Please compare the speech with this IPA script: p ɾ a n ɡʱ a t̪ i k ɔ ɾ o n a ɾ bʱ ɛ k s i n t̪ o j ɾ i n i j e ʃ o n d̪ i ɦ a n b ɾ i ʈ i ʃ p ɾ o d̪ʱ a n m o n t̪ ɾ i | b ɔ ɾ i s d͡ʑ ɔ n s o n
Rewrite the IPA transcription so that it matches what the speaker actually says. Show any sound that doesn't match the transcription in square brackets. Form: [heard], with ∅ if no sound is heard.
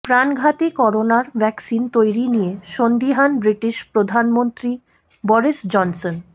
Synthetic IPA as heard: p ɾ a n ɡʱ a t̪ i k ɔ ɾ o n a ɾ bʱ ɛ k s i n t̪ o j ɾ i n i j e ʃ o n d̪ i ɦ a n b ɾ i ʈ i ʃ p ɾ o d̪ʱ a n m o n t̪ ɾ i | b ɔ ɾ i s d͡ʑ ɔ n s o n